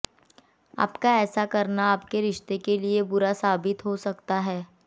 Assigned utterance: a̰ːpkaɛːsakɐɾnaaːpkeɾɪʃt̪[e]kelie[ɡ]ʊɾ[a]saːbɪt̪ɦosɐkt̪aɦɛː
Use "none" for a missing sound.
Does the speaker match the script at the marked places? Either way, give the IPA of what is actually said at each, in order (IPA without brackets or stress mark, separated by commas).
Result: e, b, a